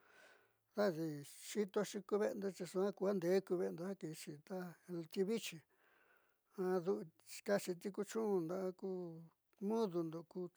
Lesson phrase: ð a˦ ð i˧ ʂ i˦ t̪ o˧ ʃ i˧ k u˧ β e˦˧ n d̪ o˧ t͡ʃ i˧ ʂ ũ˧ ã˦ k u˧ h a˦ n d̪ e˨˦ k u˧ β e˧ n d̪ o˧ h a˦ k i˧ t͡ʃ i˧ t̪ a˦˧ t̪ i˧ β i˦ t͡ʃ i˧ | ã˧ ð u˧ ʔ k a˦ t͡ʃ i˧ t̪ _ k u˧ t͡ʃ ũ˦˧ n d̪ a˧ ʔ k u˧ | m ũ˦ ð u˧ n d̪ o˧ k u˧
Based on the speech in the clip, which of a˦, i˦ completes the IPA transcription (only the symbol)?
i˦